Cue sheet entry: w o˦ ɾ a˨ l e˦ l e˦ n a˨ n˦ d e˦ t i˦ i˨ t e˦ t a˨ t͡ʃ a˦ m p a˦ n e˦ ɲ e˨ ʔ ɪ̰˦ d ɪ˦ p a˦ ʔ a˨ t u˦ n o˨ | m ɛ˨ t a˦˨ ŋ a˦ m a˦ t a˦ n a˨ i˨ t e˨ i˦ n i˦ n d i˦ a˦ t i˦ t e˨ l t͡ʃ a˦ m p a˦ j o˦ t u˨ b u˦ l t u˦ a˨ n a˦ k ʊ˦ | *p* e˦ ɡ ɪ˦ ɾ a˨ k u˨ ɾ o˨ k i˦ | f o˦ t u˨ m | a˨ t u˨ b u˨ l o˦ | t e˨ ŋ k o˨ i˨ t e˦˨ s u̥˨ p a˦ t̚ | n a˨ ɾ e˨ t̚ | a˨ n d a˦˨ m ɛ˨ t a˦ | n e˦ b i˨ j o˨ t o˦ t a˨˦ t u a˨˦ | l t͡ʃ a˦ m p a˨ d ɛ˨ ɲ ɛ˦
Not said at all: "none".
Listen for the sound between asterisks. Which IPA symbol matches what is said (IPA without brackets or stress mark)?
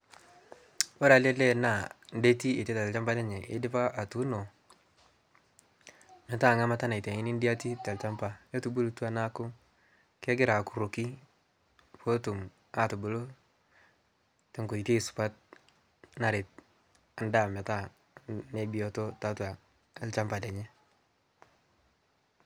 k